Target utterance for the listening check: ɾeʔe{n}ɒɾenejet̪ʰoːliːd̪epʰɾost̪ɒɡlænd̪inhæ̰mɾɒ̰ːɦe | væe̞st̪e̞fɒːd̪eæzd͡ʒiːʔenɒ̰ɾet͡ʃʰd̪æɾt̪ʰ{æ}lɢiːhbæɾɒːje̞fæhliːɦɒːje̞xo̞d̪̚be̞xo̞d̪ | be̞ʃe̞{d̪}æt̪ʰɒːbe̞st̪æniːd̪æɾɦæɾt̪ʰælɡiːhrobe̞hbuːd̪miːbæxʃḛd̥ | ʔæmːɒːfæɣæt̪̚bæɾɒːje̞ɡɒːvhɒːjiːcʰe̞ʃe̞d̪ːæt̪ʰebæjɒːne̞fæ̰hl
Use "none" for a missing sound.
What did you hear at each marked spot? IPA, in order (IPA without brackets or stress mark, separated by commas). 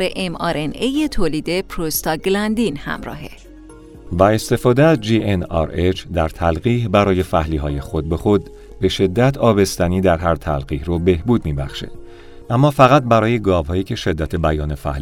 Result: m, æ, d̪ː